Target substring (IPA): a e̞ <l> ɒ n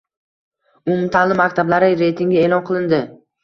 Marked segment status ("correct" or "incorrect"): correct